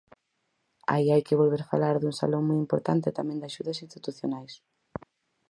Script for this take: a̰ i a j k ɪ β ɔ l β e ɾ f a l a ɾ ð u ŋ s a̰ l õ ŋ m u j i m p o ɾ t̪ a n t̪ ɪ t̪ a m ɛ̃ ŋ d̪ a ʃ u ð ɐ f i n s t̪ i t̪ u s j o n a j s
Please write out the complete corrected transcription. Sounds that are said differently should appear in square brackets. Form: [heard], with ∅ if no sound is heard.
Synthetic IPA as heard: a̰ i a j k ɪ β [o] l β e ɾ f a l a ɾ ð u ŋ s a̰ l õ ŋ m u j i m p o ɾ t̪ a n t̪ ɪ t̪ a m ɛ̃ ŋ d̪ a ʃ u ð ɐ [s] i n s t̪ i t̪ u [θ] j o n a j s